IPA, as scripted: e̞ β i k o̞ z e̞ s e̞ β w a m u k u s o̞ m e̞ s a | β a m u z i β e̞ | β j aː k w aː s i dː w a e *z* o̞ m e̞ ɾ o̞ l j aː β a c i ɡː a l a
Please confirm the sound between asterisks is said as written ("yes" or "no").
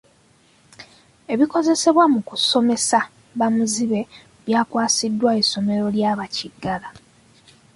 no